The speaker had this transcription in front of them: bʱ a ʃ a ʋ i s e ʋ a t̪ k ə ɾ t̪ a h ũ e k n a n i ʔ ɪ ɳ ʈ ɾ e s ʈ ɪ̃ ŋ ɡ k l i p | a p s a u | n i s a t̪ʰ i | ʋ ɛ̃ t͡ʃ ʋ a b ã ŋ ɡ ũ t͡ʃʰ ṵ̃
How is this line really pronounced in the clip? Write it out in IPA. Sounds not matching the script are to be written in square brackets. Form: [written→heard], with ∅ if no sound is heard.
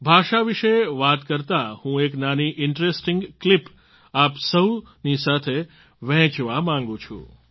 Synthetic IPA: bʱ a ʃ a ʋ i [s→ʃ] e ʋ a t̪ k ə ɾ t̪ a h ũ e k n a n i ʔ ɪ ɳ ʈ ɾ e s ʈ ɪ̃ ŋ ɡ k l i p | a p s [a→ə] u | n i s a t̪ʰ [i→e] | ʋ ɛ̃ t͡ʃ ʋ a [b→m] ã ŋ ɡ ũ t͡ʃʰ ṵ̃